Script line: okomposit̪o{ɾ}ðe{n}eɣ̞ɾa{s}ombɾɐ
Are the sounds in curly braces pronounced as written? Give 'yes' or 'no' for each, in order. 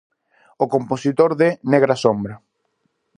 yes, yes, yes

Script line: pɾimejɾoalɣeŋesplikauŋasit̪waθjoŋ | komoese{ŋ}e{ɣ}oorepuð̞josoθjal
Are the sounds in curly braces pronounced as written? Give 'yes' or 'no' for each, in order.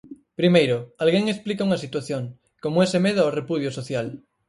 no, no

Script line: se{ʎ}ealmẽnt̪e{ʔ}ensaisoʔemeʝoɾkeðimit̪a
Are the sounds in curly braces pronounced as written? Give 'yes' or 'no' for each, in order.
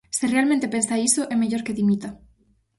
no, no

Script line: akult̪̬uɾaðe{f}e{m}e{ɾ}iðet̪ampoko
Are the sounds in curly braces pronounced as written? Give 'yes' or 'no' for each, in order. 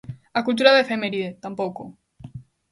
yes, yes, yes

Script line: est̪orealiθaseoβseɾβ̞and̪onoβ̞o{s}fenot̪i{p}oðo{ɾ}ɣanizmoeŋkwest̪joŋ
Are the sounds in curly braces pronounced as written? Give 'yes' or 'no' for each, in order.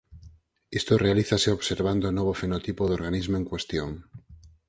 no, yes, yes

